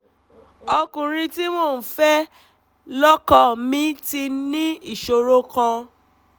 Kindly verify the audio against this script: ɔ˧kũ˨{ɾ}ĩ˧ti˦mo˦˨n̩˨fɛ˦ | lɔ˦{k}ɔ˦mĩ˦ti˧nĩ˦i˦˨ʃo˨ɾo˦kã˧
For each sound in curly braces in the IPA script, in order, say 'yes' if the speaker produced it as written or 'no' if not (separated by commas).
yes, yes